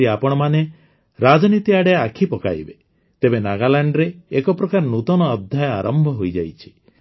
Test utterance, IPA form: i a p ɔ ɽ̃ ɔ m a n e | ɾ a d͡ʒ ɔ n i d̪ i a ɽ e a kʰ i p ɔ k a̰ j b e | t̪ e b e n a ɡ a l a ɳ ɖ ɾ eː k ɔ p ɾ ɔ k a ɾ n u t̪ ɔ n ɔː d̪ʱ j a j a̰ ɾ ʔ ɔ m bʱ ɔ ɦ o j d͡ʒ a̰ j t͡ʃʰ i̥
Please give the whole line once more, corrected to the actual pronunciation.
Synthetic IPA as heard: i a p ɔ ɽ̃ ɔ m a n e | ɾ a d͡ʒ ɔ n i t̪ i a ɽ e a kʰ i p ɔ k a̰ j b e | t̪ e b e n a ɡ a l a ɳ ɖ ɾ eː k ɔ p ɾ ɔ k a ɾ n u t̪ ɔ n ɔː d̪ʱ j a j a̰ ɾ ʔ ɔ m bʱ ɔ ɦ o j d͡ʒ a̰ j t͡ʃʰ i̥